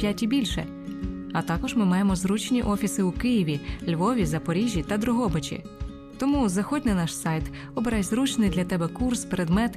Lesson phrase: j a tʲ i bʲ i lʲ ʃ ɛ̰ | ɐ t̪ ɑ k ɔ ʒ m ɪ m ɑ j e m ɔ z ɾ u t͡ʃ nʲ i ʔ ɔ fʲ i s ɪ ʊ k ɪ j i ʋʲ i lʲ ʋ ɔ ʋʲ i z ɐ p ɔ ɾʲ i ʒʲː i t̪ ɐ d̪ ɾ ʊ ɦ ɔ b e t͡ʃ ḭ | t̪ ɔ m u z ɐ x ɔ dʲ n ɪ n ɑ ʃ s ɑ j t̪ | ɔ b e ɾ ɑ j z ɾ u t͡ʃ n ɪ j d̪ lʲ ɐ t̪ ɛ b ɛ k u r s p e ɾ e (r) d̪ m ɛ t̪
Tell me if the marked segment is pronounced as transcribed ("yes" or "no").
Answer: no